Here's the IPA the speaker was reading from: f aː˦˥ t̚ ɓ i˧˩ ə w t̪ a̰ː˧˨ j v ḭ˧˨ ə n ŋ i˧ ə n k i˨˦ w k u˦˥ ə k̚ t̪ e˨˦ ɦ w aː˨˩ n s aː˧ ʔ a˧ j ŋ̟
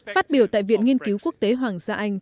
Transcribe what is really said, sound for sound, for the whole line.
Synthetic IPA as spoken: f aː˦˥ t̚ ɓ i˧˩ ə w t̪ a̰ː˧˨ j v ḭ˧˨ ə n ŋ i˧ ə n k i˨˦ w k u˦˥ ə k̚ t̪ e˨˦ ɦ w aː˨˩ ŋ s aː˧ ʔ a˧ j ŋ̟